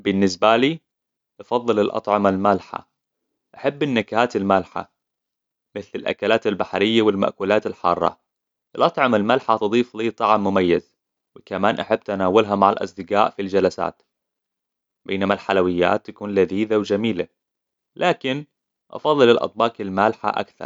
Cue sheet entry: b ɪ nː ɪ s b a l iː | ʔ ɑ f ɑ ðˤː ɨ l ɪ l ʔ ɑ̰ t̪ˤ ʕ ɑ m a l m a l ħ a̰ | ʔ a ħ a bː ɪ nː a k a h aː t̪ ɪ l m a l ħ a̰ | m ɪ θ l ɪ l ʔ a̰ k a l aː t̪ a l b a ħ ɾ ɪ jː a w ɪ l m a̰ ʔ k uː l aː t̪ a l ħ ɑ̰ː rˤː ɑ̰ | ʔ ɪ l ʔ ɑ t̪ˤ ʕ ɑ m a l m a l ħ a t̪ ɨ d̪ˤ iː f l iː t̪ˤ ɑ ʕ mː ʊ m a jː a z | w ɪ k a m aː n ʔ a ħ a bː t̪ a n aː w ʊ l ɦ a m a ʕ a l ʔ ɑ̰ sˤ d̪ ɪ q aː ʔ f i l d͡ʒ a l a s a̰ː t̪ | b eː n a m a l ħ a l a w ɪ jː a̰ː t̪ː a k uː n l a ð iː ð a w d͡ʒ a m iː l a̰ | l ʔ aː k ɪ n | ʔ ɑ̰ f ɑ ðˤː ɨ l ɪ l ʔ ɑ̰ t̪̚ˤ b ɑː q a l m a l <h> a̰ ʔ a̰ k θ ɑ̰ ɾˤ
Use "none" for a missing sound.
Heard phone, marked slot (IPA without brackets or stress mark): ħ